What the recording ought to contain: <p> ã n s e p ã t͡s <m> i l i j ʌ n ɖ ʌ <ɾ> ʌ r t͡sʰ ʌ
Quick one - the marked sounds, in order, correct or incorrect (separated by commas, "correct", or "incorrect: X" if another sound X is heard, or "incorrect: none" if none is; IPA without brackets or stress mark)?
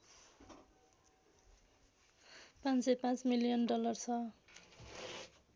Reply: correct, correct, incorrect: l